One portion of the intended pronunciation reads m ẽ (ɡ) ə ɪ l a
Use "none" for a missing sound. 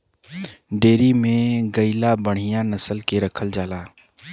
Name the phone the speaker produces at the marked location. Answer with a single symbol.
ɡ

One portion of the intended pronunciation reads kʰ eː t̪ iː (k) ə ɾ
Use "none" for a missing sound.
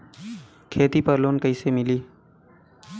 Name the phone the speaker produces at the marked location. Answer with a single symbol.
p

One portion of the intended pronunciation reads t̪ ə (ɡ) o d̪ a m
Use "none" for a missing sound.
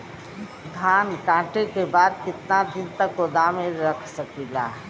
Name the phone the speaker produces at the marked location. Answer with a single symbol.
k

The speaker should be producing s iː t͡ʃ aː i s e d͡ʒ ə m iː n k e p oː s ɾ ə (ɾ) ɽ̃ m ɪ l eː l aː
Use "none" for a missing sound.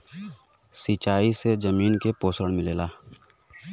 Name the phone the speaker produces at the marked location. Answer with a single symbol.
none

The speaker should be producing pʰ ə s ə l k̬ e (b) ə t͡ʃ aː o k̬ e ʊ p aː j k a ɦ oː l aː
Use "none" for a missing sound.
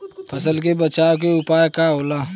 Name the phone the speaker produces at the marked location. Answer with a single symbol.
b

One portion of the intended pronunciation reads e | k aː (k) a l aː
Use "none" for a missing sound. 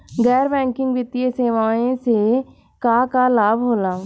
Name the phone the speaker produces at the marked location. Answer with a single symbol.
k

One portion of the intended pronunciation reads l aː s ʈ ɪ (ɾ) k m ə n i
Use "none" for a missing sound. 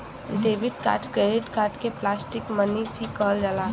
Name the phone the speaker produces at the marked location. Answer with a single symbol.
none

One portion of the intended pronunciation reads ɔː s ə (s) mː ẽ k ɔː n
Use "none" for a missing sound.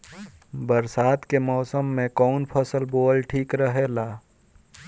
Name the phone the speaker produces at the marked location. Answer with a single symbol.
none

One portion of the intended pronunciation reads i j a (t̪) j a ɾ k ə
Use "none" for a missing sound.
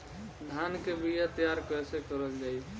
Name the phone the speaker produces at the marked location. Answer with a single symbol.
t̪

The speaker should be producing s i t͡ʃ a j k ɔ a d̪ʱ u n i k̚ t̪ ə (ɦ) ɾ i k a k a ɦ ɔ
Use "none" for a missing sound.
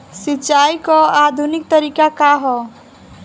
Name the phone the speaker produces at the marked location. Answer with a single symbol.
none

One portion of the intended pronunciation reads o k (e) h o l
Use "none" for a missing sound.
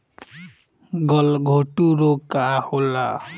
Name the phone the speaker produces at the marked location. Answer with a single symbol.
a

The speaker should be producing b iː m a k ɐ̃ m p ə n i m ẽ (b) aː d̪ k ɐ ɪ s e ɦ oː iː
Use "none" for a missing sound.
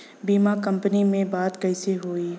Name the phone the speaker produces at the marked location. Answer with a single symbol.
b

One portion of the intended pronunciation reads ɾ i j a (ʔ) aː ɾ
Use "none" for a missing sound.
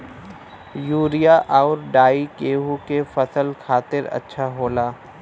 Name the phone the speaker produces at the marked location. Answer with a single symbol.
ʔ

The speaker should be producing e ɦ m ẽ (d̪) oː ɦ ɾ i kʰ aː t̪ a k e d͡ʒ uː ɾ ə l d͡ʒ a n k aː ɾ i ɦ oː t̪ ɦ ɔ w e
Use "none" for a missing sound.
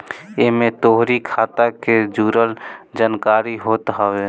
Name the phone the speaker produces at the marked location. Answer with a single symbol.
t̪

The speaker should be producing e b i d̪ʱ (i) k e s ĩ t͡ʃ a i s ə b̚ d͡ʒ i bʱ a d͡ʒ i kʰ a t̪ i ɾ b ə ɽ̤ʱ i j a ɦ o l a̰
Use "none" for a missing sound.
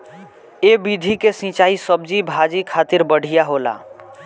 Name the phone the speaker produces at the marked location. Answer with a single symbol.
i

